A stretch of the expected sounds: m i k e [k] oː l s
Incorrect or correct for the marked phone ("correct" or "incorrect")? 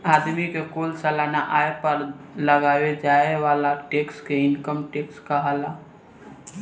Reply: correct